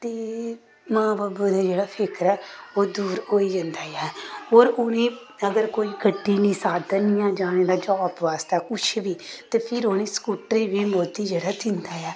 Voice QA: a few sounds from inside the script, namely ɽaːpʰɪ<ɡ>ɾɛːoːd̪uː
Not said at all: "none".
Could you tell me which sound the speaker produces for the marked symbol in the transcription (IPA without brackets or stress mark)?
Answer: k